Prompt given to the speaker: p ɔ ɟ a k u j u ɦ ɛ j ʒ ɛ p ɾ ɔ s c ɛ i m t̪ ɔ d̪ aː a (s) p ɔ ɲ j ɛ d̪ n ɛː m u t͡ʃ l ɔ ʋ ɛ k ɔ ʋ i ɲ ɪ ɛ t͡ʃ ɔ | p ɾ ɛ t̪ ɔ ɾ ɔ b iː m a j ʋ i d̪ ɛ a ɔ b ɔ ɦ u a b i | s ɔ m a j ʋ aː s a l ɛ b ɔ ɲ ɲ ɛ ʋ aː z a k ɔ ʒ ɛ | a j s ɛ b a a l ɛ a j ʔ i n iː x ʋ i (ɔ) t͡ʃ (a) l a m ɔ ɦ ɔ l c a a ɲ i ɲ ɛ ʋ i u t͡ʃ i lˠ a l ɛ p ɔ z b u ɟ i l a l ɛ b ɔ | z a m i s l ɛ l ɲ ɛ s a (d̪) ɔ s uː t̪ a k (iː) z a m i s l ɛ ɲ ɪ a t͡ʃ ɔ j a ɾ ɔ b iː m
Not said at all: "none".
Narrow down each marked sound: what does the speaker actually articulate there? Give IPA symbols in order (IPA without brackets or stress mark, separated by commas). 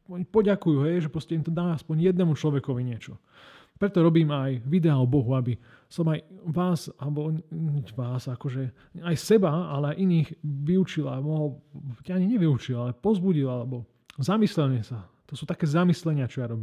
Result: s, u, i, t̪, ɛː